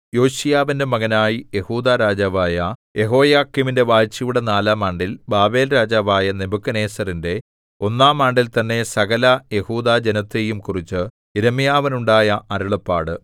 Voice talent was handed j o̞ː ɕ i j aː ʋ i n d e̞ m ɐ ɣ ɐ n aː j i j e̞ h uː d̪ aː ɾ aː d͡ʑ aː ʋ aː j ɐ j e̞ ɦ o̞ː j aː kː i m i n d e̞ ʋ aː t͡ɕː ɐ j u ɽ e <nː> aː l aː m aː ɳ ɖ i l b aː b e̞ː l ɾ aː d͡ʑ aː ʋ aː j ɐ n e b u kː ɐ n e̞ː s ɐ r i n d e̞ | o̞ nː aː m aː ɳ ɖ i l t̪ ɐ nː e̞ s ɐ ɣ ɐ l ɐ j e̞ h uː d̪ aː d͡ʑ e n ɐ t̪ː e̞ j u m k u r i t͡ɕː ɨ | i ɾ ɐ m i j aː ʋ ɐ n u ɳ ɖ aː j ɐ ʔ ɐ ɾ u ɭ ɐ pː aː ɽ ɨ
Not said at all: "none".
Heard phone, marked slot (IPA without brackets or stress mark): n